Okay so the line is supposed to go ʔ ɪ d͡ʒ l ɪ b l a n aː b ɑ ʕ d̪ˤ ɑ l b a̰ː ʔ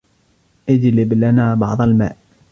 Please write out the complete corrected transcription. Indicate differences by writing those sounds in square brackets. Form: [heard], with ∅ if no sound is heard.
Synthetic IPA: ʔ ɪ d͡ʒ l ɪ b l a n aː b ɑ ʕ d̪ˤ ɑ l [m] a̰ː ʔ